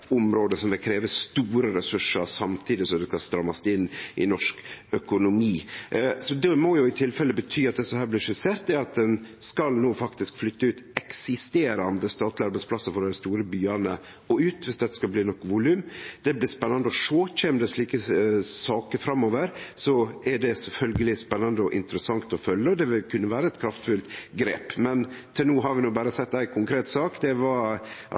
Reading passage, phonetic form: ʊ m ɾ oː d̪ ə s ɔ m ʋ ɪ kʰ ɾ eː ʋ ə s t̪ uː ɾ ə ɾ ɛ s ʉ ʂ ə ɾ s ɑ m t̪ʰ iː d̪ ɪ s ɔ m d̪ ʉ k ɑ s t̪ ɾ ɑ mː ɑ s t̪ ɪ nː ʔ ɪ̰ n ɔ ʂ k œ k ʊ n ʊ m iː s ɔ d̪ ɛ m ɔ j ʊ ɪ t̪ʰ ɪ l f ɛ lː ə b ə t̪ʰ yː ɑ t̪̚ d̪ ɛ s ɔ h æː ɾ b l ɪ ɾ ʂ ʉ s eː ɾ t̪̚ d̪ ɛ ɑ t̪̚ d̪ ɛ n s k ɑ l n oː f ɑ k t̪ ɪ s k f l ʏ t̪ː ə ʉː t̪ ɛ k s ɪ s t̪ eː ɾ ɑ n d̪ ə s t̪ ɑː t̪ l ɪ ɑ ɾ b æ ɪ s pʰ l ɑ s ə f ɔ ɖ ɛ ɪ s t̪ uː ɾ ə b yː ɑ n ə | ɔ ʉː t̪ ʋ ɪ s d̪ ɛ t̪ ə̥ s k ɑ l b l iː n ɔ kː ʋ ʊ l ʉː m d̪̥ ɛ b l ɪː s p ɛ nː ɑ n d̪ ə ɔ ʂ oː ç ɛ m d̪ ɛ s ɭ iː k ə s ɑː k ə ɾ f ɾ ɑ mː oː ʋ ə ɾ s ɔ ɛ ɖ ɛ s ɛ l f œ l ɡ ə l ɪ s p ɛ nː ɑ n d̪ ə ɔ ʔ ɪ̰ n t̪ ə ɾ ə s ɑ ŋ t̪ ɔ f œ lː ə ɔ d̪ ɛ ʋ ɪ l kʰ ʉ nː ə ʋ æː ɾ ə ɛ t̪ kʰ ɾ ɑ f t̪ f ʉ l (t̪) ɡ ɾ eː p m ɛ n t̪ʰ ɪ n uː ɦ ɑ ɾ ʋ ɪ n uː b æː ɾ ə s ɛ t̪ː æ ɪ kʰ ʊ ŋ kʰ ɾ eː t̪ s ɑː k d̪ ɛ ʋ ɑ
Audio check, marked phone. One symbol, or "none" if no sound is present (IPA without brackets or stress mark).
t̪